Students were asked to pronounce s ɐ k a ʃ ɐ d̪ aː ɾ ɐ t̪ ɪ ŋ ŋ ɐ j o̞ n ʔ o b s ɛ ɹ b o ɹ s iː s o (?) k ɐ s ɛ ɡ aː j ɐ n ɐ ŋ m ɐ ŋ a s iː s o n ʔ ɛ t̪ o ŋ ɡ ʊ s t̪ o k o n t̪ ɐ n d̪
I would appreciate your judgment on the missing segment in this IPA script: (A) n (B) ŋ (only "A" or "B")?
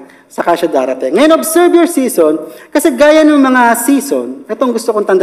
A